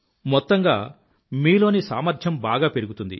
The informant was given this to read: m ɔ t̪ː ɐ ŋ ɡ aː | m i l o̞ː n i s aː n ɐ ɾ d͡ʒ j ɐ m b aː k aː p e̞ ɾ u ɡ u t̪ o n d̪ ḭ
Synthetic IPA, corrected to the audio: m ɔ t̪ː ɐ ŋ ɡ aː | m iː l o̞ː n i s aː m ɐ ɾ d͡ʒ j ɐ m b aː ɡ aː p e̞ ɾ u ɡ u t̪ u n d̪ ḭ